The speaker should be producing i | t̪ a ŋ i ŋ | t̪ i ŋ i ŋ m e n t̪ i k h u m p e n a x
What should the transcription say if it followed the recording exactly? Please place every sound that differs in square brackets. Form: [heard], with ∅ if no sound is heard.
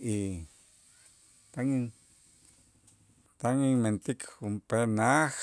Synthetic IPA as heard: i | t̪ a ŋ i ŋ | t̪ [a] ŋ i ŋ m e n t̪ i k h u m p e n a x

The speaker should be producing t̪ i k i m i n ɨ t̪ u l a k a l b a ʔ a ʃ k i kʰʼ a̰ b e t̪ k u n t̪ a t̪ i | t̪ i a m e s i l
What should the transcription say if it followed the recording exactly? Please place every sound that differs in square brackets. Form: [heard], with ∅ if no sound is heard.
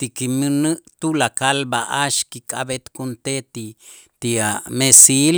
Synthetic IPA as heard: t̪ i k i m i n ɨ t̪ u l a k a l b a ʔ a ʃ k i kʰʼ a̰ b e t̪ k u n t̪ [e] t̪ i | t̪ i a m e s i l

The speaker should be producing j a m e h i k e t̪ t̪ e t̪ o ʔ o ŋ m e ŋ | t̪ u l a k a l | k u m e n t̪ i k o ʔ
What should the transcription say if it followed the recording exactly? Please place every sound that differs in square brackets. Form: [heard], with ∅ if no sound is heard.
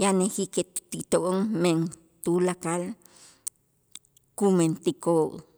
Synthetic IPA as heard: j a [n] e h i k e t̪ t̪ [i] t̪ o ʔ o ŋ m e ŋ | t̪ u l a k a l | k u m e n t̪ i k o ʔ

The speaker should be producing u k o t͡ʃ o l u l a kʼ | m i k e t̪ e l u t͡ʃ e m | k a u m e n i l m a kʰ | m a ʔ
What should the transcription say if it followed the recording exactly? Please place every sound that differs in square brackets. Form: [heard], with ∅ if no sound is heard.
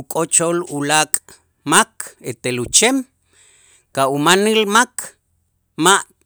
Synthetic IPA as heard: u [kʼ] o t͡ʃ o l u l a kʼ | m [a] k e t̪ e l u t͡ʃ e m | k a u m [a] n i l m a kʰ | m a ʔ

